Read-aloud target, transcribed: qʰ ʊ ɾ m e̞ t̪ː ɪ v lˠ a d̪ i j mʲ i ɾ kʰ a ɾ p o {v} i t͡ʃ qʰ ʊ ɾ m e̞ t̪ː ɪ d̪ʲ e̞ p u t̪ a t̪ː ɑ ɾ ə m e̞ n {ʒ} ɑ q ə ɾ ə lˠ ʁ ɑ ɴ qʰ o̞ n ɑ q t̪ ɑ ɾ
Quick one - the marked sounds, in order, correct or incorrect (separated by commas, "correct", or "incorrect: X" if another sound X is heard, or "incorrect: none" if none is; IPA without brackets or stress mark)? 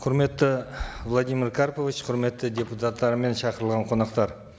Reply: correct, incorrect: ʃ